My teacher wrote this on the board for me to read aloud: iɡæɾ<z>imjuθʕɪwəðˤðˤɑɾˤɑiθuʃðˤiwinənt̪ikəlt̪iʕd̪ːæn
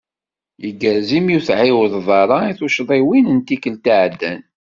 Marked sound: correct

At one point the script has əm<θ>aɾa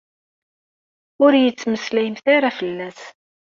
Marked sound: correct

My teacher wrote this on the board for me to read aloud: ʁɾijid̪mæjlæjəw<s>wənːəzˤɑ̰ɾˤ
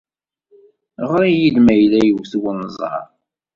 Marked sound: incorrect: θ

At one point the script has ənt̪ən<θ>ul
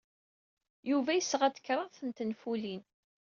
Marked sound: incorrect: f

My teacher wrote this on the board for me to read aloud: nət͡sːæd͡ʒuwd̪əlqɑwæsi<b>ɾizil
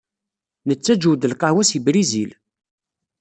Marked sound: correct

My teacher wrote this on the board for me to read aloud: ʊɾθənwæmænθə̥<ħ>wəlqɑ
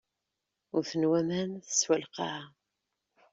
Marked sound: incorrect: s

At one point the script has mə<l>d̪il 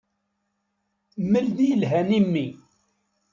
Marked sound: correct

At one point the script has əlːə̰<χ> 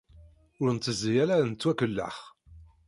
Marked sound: correct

